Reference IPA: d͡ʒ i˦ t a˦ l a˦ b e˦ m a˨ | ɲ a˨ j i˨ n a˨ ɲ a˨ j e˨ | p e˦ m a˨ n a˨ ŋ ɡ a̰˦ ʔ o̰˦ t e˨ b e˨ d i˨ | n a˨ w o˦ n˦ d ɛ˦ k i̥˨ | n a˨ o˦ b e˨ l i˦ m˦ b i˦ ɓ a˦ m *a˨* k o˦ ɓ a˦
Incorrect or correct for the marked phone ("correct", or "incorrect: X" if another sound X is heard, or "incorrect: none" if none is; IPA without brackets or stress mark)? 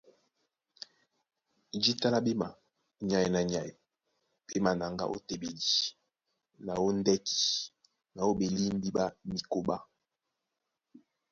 incorrect: i˨